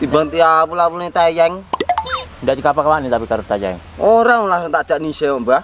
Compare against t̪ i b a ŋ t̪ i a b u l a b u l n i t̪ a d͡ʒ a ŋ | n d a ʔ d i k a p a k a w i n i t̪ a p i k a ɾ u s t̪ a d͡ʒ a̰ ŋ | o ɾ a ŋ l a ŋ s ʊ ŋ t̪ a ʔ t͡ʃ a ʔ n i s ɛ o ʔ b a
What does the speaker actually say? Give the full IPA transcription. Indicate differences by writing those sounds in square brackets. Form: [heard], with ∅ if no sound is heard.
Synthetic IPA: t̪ i b a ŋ t̪ i a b u l a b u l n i t̪ a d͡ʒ a ŋ | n d a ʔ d i k a p a k a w [a] n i t̪ a p i k a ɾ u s t̪ a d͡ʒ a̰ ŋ | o ɾ a ŋ l a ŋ s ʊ ŋ t̪ a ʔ t͡ʃ a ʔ n i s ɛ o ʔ b a